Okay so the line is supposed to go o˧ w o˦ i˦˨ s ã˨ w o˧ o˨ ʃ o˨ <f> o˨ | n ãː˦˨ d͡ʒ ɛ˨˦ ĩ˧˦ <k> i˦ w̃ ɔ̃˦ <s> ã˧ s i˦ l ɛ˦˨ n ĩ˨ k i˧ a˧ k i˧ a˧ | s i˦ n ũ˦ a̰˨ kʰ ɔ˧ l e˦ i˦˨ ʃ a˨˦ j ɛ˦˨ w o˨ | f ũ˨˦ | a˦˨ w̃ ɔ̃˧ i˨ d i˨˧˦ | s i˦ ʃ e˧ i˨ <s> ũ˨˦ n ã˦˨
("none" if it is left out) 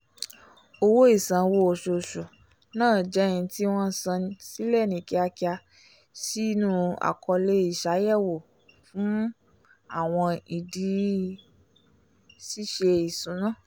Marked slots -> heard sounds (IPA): ʃ, t, s, s

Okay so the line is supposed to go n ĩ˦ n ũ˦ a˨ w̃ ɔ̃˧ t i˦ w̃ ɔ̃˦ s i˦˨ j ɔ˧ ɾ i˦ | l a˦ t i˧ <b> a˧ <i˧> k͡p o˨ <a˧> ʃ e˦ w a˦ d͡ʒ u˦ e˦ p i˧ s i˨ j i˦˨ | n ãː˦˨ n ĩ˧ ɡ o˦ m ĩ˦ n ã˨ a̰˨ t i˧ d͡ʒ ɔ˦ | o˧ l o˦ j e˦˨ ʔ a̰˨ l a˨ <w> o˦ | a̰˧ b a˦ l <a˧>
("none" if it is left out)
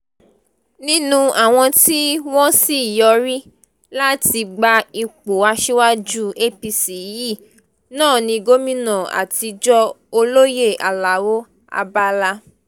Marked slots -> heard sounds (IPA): ɡ͡b, i˧, a˧, w, a˧

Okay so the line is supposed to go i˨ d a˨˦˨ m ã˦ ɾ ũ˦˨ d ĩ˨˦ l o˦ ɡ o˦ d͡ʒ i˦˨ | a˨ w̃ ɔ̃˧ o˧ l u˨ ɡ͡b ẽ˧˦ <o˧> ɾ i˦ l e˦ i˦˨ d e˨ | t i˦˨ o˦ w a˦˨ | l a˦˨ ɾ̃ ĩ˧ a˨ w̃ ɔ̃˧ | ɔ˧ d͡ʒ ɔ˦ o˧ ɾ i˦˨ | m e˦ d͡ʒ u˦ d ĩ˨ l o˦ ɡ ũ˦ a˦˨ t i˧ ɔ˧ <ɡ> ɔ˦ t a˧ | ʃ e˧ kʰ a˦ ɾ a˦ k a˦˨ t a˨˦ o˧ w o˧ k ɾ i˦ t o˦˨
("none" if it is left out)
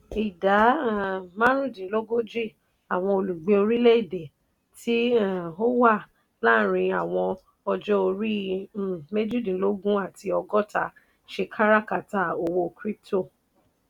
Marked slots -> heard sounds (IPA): o˧, ɡ

